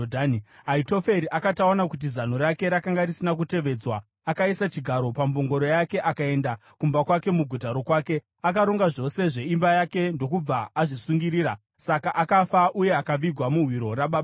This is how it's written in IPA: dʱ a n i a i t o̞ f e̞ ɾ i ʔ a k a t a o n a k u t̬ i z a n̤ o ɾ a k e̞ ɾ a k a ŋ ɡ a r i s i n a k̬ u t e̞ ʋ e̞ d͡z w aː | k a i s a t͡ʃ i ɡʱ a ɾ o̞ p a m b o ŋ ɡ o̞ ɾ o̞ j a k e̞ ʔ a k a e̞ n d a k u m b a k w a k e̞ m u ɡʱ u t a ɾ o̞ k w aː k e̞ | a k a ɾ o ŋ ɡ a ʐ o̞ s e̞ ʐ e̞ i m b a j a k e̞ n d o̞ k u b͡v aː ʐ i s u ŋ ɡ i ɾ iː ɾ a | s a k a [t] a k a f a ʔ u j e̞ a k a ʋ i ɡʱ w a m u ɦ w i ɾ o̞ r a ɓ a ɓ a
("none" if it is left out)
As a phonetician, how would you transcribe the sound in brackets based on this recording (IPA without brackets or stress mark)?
ʔ